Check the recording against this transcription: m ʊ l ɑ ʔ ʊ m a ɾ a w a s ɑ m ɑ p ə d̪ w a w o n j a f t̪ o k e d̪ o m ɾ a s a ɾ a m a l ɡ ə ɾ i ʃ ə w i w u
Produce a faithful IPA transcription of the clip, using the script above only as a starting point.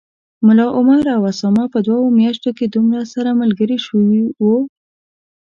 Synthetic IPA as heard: m ʊ l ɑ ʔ ʊ m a ɾ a w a s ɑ m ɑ p ə d̪ w a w o m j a ʃ t̪ o k e d̪ u m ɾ a s a ɾ a m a l ɡ ə ɾ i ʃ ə w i w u